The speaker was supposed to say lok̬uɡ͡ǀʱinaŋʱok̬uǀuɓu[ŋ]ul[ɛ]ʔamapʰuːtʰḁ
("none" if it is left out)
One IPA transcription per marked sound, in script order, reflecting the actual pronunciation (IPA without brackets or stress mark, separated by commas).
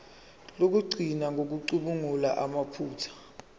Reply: ŋ, a